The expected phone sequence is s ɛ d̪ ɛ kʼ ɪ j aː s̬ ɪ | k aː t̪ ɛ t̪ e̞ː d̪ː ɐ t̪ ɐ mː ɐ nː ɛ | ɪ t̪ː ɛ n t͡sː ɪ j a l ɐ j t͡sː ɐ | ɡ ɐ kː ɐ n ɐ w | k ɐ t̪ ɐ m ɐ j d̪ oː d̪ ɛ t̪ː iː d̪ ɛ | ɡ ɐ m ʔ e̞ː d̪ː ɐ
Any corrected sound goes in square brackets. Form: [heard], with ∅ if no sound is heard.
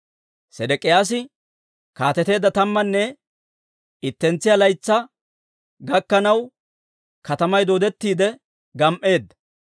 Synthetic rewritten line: s ɛ d̪ ɛ kʼ ɪ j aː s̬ ɪ | k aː t̪ ɛ t̪ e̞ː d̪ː ɐ t̪ ɐ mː ɐ nː ɛ | ɪ t̪ː ɛ n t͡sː ɪ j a l ɐ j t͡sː ɐ | ɡ ɐ kː ɐ n ɐ w | k ɐ t̪ ɐ m ɐ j d̪ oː d̪ ɛ t̪ː iː d̪ ɛ | ɡ ɐ m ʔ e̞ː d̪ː ɐ